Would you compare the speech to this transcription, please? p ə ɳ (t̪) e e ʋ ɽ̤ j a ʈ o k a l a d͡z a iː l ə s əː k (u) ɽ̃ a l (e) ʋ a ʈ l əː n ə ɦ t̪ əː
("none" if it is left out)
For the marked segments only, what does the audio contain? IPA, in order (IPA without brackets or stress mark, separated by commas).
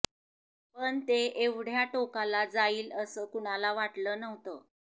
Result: t̪, u, a